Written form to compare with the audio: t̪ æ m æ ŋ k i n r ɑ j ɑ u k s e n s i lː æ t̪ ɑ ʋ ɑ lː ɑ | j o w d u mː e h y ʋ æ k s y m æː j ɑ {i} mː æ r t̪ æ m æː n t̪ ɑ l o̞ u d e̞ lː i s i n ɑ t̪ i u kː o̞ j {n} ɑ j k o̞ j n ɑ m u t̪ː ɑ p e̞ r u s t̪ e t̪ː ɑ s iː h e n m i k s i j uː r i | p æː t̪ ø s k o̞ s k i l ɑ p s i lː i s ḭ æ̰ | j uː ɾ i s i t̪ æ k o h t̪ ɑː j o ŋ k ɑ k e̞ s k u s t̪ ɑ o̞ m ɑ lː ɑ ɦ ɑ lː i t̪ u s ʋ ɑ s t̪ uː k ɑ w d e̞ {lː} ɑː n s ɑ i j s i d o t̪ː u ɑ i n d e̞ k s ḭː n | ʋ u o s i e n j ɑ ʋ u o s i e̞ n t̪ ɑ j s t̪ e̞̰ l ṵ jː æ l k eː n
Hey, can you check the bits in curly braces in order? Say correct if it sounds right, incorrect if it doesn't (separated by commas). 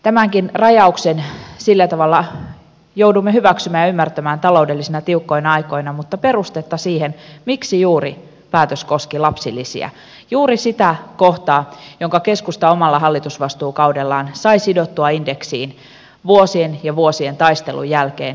incorrect, correct, correct